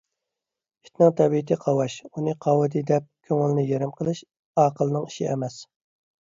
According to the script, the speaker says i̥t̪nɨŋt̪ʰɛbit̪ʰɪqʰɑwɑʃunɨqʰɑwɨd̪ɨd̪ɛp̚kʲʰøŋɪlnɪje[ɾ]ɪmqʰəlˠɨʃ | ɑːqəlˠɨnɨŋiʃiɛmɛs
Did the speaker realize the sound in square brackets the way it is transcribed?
yes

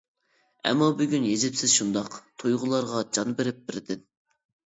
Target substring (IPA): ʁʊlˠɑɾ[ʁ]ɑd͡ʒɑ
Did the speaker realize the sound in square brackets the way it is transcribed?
yes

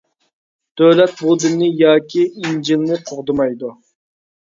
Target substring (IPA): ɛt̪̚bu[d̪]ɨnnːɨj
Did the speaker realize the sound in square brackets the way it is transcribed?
yes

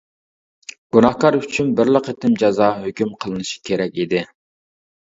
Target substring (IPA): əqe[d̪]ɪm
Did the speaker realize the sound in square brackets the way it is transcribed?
no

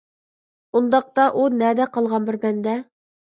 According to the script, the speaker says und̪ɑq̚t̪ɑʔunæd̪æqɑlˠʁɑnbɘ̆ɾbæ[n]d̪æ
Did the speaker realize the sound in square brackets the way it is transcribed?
yes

